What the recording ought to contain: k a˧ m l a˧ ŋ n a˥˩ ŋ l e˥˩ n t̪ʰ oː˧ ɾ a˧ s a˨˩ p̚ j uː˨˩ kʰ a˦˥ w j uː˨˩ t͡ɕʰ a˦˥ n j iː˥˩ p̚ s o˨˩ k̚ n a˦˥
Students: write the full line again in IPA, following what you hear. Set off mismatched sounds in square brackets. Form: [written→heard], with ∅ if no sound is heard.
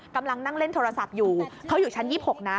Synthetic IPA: k a˧ m l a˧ ŋ n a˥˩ ŋ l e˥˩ n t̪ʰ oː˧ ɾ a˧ s a˨˩ p̚ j uː˨˩ kʰ a˦˥ w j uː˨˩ t͡ɕʰ a˦˥ n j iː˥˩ p̚ [s→h] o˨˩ k̚ n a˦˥

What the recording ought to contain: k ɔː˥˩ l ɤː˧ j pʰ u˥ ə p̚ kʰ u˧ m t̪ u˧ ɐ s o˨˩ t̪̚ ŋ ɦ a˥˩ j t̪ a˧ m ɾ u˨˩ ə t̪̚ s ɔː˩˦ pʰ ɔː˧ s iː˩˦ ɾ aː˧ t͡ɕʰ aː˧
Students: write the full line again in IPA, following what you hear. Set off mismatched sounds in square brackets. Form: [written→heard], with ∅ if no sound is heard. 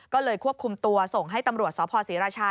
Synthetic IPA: k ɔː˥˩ l ɤː˧ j [pʰ→kʰ] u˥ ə p̚ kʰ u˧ m t̪ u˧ ɐ s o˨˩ [t̪̚→∅] ŋ ɦ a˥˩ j t̪ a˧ m ɾ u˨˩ ə t̪̚ s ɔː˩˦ pʰ ɔː˧ s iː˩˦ ɾ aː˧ t͡ɕʰ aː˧

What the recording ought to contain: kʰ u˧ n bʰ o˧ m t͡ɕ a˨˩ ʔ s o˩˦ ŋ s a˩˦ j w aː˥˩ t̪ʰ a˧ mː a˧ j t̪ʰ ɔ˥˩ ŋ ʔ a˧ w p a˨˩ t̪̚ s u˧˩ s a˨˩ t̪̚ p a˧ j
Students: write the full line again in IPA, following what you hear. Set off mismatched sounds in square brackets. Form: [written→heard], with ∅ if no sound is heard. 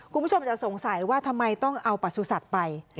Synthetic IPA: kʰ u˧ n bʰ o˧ m t͡ɕ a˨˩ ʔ s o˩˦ ŋ s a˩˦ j w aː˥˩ t̪ʰ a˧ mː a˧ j [t̪ʰ→t̪] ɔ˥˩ ŋ ʔ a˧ w p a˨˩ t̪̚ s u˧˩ s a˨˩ t̪̚ p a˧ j

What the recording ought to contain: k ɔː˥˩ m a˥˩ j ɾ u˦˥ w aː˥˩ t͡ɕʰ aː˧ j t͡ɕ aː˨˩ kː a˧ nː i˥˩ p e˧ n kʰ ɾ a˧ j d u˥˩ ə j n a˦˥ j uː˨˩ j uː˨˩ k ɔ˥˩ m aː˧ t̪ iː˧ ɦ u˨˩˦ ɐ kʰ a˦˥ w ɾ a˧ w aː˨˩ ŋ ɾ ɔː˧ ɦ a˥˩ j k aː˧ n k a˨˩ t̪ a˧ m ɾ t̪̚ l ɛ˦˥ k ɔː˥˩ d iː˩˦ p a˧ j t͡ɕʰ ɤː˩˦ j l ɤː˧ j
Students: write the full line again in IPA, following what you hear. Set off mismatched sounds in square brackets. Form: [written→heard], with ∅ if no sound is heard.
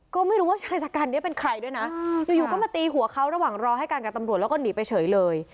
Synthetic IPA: k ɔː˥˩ m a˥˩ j ɾ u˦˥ w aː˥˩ t͡ɕʰ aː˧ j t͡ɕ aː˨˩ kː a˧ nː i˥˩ p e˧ n kʰ ɾ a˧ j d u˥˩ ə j n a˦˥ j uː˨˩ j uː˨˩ k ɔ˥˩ m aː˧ t̪ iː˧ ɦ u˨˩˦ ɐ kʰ a˦˥ w ɾ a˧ w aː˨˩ ŋ ɾ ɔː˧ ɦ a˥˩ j k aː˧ n k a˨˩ t̪ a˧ m ɾ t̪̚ l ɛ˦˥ k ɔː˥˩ [d→n] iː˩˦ p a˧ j t͡ɕʰ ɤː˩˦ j l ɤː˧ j

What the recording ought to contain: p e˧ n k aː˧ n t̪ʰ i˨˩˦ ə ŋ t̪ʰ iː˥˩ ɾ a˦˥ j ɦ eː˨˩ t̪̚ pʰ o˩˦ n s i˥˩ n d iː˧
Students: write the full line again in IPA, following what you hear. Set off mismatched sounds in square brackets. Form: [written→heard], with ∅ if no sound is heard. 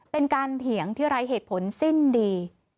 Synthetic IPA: p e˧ n k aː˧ n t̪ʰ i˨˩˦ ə ŋ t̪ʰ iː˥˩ ɾ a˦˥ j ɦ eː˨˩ t̪̚ pʰ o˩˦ n s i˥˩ n d iː˧

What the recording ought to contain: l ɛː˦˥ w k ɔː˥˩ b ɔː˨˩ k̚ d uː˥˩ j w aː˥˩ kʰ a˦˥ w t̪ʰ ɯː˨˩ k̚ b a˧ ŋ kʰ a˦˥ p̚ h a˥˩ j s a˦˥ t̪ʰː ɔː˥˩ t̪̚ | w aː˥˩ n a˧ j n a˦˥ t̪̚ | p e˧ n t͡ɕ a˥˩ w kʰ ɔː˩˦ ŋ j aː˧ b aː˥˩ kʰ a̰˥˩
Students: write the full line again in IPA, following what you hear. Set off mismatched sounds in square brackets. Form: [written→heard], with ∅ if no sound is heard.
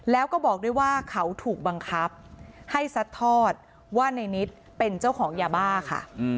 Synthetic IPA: l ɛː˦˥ w k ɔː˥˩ b ɔː˨˩ k̚ d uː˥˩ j w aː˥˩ kʰ a˦˥ w t̪ʰ [ɯː˨˩→uː˨˩] k̚ b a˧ ŋ kʰ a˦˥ p̚ h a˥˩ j s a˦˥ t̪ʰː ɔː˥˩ t̪̚ | w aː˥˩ n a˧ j n [a˦˥→i˦˥] t̪̚ | p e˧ n t͡ɕ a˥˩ w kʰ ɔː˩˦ ŋ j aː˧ b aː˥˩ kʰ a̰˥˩

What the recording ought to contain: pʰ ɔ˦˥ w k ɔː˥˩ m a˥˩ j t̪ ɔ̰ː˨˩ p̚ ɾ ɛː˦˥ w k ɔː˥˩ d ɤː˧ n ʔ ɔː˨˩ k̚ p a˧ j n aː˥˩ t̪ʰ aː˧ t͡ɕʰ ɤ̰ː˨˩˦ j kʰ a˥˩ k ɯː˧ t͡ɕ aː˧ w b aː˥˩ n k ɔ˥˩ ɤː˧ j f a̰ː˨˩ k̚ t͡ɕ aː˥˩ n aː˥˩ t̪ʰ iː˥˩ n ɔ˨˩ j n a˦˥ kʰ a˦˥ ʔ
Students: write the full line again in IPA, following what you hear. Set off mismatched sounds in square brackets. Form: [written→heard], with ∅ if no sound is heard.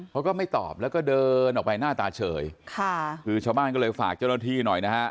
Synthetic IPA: pʰ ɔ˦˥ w k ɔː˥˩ m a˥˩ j t̪ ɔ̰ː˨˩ p̚ [ɾ→l] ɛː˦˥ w k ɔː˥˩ d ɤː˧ n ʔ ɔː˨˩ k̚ p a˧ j n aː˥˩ [t̪ʰ→t̪] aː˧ t͡ɕʰ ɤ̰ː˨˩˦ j kʰ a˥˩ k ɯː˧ [t͡ɕ→t͡ɕʰ] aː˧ w b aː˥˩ n k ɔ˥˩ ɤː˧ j f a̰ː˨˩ k̚ t͡ɕ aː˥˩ n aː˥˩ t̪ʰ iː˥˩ n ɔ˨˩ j n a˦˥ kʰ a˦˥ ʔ

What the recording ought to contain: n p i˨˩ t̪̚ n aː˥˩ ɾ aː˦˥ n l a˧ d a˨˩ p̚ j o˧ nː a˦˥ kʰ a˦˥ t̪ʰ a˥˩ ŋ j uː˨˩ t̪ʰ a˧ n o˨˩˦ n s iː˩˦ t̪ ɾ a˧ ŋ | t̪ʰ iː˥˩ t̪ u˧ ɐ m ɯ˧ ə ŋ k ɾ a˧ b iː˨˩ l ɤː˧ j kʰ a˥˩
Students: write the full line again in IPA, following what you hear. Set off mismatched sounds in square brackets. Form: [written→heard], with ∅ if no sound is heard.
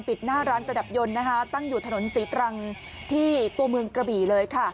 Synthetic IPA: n p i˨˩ t̪̚ n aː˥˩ ɾ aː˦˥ n [l→ɾ] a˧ d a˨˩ p̚ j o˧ nː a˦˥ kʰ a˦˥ [t̪ʰ→t̪] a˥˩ ŋ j uː˨˩ t̪ʰ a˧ n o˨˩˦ n s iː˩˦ t̪ ɾ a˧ ŋ | t̪ʰ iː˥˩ t̪ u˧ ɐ m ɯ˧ ə ŋ k ɾ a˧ b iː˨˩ l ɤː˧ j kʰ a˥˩

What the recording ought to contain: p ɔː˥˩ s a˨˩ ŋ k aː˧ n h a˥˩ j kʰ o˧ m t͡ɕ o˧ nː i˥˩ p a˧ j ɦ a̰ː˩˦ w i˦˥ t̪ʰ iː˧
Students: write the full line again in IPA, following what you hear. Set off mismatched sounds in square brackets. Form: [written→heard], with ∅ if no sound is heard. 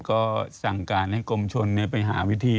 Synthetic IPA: [p→k] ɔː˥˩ s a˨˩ ŋ k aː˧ n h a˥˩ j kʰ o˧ m [t͡ɕ→t͡ɕʰ] o˧ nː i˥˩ p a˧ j ɦ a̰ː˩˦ w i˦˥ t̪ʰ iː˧

